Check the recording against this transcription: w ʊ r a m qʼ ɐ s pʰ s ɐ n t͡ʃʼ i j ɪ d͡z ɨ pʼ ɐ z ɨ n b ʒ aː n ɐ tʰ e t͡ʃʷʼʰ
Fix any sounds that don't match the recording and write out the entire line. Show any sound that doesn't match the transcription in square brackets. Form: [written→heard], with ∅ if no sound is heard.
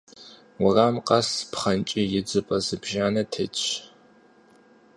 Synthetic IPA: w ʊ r a m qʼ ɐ s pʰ [s→χ] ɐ n t͡ʃʼ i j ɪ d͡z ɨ pʼ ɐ z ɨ [n→∅] b ʒ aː n ɐ tʰ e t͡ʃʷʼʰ